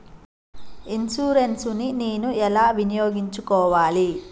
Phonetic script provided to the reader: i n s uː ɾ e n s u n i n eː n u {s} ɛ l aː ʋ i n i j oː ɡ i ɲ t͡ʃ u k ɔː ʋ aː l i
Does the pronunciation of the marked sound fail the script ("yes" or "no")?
yes